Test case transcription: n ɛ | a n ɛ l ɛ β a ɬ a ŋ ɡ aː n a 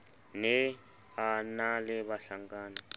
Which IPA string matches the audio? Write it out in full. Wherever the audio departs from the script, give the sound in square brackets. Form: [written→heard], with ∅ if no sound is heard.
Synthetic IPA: n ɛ | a n [ɛ→a] l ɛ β a ɬ a ŋ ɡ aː n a